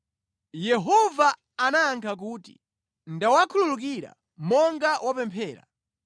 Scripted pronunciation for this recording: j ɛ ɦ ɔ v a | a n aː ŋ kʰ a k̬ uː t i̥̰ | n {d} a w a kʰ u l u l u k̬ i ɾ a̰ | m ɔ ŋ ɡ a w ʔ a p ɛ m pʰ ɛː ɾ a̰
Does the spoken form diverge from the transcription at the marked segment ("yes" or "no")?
no